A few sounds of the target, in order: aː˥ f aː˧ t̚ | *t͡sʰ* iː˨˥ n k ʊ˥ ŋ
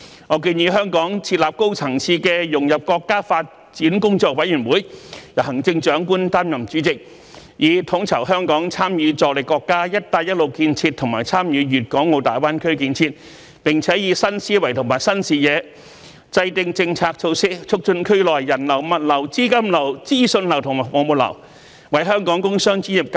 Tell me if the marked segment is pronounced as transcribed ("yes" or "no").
no